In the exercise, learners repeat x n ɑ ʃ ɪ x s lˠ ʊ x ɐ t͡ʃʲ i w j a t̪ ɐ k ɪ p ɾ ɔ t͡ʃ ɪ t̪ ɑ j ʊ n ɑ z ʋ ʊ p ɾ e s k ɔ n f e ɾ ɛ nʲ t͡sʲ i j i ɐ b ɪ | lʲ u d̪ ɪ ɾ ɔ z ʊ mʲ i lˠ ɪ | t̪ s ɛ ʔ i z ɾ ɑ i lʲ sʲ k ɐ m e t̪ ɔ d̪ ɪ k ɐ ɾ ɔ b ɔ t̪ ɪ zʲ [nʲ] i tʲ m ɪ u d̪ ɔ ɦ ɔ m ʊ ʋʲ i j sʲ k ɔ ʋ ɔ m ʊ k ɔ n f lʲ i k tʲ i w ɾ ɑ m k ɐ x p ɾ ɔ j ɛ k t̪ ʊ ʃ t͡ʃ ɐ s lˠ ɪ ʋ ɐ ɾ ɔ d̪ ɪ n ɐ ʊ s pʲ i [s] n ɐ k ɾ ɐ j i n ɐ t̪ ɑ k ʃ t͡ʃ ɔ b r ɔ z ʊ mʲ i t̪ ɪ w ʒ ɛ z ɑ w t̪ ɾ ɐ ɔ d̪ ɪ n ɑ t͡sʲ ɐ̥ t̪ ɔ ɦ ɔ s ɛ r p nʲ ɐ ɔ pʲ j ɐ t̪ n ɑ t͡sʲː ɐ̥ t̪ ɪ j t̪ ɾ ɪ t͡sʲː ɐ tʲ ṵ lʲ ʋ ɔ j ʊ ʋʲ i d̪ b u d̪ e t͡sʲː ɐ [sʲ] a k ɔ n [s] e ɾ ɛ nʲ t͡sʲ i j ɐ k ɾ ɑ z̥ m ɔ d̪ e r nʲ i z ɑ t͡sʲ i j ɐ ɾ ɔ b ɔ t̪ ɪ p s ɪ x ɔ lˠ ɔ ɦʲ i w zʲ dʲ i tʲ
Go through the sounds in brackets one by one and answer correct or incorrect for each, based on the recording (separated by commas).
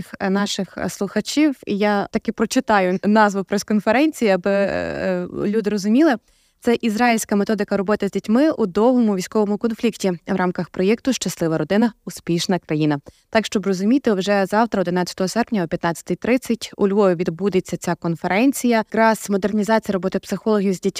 incorrect, incorrect, incorrect, incorrect